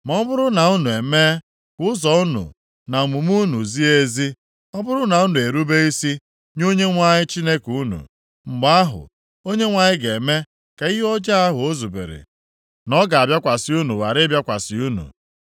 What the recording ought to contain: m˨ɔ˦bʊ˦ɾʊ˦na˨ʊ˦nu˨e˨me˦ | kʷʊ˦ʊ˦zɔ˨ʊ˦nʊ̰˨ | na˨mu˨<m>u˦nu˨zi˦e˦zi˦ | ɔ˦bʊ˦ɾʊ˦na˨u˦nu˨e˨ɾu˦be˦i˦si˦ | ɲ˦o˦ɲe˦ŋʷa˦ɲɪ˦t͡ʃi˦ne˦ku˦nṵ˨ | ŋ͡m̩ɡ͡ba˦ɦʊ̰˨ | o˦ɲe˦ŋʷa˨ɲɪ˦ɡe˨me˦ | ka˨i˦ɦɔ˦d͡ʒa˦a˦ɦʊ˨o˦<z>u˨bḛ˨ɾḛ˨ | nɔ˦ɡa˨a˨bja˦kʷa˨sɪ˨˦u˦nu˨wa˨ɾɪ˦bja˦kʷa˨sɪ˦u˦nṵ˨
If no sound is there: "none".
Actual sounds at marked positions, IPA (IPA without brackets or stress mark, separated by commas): m, z